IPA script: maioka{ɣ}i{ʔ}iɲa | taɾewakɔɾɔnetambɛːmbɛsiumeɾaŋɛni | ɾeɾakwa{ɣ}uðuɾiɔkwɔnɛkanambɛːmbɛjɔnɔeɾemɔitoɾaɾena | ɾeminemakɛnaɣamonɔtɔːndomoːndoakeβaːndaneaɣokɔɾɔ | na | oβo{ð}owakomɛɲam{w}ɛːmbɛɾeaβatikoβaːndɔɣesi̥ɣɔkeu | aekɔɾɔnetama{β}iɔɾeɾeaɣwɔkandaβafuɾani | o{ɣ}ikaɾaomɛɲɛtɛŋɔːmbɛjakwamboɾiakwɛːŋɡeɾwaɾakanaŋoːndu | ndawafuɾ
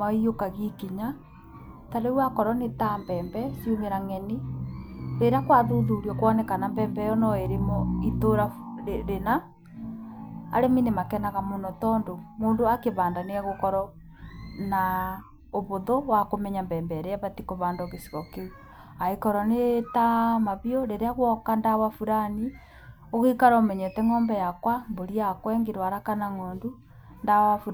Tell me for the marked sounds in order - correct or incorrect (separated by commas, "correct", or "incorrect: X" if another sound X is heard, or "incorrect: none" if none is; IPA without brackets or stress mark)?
correct, incorrect: k, incorrect: ð, correct, incorrect: b, correct, correct